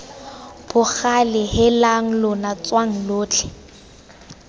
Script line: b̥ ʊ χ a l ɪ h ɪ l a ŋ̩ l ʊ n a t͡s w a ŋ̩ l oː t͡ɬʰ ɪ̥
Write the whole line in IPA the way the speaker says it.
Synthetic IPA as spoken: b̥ ʊ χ a l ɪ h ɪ l a ŋ̩ l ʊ n a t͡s w a ŋ̩ l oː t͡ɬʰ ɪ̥